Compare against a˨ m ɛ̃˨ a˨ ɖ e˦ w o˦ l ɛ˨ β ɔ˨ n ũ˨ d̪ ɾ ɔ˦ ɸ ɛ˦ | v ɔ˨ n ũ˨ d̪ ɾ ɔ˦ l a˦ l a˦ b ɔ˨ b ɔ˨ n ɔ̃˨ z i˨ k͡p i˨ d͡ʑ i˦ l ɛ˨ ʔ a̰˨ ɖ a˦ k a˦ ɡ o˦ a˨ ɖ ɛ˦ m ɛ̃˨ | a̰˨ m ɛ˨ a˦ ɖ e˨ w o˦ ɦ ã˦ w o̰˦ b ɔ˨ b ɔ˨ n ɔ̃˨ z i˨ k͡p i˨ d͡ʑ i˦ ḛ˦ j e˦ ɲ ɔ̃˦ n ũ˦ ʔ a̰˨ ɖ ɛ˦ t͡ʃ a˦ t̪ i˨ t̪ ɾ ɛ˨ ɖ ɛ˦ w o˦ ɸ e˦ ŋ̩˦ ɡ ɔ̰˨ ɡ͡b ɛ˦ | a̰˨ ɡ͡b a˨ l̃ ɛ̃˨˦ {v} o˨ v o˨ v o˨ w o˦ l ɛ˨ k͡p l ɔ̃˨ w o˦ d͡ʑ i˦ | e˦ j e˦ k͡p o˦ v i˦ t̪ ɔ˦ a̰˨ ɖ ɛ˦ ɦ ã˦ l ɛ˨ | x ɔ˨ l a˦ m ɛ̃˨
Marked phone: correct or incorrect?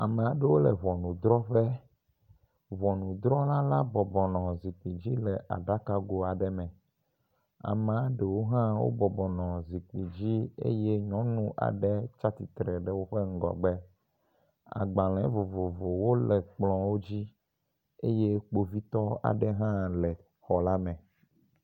correct